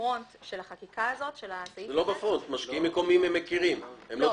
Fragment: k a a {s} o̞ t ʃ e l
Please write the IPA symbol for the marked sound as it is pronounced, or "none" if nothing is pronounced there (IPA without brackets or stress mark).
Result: z